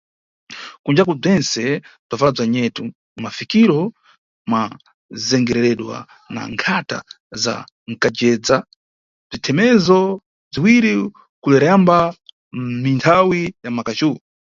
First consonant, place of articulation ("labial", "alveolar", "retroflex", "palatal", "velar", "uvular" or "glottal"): velar